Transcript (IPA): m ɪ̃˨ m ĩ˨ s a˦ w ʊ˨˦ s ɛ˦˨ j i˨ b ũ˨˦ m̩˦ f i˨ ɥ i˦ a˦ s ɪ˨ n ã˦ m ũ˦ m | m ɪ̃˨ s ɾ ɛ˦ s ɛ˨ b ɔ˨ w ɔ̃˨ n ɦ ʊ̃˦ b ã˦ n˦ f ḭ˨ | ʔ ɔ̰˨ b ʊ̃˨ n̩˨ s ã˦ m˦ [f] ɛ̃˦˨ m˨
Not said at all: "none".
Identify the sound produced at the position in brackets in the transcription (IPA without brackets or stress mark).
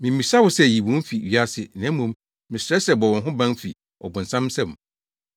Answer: s